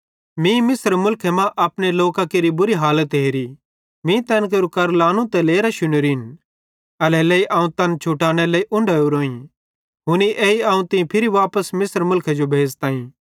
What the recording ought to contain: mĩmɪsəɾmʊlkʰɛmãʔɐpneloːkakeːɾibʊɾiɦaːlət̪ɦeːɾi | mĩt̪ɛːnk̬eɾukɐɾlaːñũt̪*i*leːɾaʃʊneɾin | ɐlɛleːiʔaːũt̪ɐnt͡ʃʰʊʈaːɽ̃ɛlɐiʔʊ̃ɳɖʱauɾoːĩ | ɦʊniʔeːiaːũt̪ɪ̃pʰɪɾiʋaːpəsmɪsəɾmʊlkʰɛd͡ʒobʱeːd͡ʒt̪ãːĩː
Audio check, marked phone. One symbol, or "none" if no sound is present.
ɛ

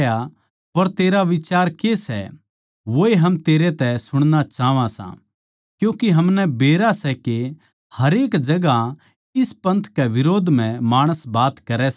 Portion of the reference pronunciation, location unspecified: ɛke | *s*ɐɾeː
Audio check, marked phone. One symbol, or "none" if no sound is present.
h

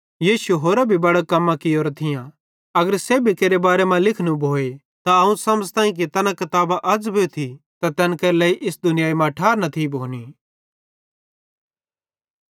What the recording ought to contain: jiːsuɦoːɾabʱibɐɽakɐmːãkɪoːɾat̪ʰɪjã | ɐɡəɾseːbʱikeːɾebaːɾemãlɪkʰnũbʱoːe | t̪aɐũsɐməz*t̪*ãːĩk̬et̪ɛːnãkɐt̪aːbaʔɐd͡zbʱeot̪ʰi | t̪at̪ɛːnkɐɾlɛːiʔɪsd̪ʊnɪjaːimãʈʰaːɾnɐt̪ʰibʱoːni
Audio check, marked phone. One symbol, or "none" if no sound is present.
t̪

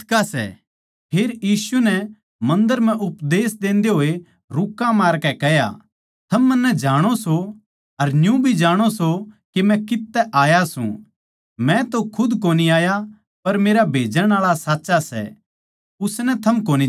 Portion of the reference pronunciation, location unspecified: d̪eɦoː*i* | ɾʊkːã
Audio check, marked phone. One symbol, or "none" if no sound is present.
e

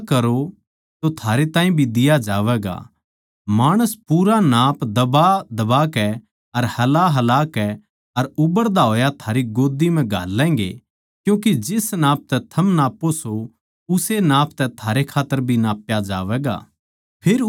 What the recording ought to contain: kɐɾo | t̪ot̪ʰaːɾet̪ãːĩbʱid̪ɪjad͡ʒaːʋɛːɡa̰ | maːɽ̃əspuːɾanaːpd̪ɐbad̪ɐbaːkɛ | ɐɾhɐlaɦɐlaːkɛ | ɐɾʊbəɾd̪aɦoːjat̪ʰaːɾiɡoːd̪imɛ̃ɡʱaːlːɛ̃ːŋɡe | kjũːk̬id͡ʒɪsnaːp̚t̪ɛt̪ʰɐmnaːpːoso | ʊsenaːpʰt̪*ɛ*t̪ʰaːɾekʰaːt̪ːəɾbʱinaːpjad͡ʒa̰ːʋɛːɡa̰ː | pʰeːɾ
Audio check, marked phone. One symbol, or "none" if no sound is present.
ɛ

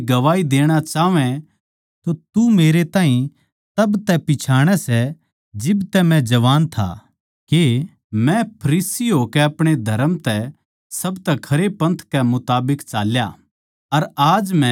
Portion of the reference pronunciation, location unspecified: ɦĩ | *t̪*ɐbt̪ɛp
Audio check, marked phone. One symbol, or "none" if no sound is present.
t̪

